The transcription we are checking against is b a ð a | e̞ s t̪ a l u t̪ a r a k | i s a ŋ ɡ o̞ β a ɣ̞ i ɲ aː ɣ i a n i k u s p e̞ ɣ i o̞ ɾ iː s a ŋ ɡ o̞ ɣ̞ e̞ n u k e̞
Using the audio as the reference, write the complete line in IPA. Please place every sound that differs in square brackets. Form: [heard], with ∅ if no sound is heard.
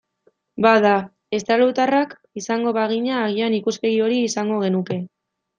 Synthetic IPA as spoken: b a ð a | e̞ s t̪ a l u t̪ a r a k | i s a ŋ ɡ o̞ β a ɣ̞ i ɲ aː ɣ i a n i k u s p e̞ ɣ i o̞ ɾ iː s a ŋ ɡ o̞ ɣ̞ e̞ n u k e̞